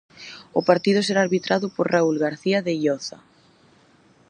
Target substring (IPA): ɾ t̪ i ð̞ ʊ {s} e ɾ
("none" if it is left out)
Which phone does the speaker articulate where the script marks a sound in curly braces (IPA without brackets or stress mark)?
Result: s